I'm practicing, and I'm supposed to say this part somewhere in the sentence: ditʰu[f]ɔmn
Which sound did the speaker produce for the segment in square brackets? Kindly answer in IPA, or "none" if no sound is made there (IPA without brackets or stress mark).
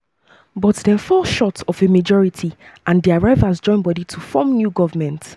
f